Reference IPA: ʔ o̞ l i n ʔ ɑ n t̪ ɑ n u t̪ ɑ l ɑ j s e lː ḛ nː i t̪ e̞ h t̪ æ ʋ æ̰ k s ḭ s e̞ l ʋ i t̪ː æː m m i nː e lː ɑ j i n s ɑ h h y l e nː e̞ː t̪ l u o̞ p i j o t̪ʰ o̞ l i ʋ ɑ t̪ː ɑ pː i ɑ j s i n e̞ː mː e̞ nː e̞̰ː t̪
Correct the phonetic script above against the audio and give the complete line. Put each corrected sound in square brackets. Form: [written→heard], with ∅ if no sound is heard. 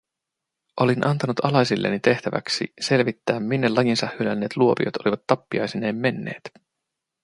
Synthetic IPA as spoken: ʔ o̞ l i n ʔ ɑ n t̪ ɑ n u t̪ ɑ l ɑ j s [e→i] lː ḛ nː i t̪ e̞ h t̪ æ ʋ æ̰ k s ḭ s e̞ l ʋ i t̪ː æː m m i nː e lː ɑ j i n s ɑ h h y l [e→æ] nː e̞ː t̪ l u o̞ p i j o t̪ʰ o̞ l i ʋ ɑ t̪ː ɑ pː i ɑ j s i n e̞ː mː e̞ nː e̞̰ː t̪